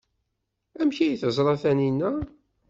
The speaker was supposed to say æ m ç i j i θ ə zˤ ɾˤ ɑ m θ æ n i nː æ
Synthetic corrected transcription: æ m ç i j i θ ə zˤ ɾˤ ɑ θ æ n i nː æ

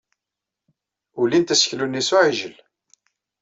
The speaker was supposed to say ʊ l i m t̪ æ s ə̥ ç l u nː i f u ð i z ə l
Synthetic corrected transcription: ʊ l i n t̪ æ s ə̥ ç l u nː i s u ʕ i ʒ ə l

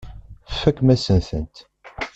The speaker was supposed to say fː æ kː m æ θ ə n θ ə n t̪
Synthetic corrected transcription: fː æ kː m æ s ə n θ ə n t̪

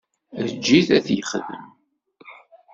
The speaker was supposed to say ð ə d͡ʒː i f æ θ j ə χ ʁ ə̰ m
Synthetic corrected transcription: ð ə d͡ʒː i θ æ θ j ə χ ð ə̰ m

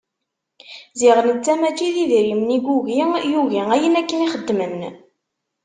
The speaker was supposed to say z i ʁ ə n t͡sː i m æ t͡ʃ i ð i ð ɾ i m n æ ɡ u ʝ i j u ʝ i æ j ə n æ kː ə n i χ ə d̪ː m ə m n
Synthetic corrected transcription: z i ʁ ə n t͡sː æ m æ t͡ʃ i ð i ð ɾ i m n i ɡ u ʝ i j u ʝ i æ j ə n æ kː ə n i χ ə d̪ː m ə m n

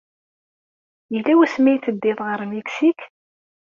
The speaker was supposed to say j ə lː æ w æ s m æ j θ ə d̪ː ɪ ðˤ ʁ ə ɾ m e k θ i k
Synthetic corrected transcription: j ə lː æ w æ s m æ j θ ə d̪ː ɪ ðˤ ʁ ə ɾ m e k s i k

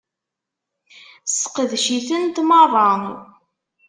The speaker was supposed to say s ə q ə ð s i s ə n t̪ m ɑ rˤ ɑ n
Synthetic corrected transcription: s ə q ə ð ʃ i θ ə n t̪ m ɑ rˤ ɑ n

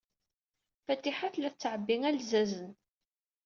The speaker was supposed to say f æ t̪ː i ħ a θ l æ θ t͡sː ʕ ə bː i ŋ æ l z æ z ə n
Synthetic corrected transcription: f æ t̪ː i ħ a θ l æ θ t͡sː ʕ ə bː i ŋ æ l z æ z ə n

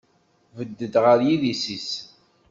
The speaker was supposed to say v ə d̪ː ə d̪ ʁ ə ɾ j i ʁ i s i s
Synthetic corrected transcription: v ə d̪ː ə d̪ ʁ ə ɾ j i ð i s i s

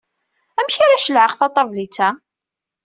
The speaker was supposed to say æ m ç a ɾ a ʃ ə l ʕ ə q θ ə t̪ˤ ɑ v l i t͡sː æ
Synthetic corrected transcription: æ m ç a ɾ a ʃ ə l ʕ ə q θ ɑ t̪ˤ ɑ v l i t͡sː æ

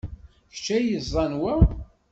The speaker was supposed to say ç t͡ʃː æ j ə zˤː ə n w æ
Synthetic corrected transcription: ç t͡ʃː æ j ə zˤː ɑ n w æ

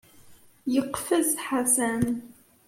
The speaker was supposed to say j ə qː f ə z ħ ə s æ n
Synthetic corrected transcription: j ə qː f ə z ħ a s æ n

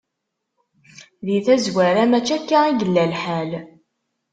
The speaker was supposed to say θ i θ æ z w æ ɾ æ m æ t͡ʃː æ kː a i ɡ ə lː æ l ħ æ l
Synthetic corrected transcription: ð i θ æ z w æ ɾ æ m æ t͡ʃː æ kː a i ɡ ə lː æ l ħ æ l

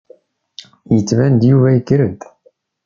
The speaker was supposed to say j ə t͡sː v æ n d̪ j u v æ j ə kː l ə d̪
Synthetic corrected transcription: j ə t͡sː v æ n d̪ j u v æ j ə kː ɾ ə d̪

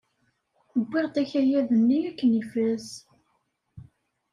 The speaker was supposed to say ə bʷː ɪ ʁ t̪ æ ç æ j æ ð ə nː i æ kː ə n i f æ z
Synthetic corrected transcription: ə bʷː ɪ ʁ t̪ æ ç æ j æ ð ə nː i æ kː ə n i f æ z

